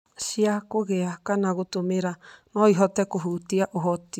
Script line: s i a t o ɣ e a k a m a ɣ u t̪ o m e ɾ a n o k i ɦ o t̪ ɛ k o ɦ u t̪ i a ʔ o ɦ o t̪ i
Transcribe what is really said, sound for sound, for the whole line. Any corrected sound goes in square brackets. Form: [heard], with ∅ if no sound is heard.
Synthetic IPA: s i a [k] o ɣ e a k a [n] a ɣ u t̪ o m e ɾ a n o [∅] i ɦ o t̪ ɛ k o ɦ u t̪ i a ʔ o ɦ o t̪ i